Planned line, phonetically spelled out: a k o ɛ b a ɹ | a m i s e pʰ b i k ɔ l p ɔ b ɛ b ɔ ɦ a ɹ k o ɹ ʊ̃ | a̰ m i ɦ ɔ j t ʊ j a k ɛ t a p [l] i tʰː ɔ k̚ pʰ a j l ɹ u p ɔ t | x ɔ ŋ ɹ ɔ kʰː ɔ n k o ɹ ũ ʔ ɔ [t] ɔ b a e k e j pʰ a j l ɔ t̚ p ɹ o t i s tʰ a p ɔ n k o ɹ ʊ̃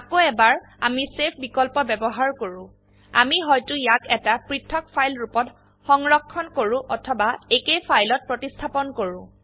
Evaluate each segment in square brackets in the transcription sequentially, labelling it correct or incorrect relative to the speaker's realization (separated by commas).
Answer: incorrect, incorrect